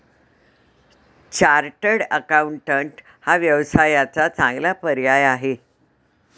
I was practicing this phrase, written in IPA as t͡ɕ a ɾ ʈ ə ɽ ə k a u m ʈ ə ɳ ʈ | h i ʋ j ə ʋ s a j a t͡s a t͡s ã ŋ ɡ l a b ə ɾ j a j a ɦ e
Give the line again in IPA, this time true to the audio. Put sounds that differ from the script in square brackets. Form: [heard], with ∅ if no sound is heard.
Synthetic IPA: t͡ɕ a ɾ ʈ ə ɽ ə k a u [ɳ] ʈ ə ɳ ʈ | h [a] ʋ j ə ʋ s a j a t͡s a t͡s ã ŋ ɡ l a [p] ə ɾ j a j a ɦ e